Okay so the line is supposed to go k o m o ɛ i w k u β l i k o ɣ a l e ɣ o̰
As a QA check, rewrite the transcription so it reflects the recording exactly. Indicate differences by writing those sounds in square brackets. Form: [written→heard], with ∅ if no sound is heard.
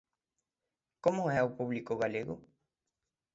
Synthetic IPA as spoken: k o m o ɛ [i→a] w [k→p] u β l i k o ɣ a l e ɣ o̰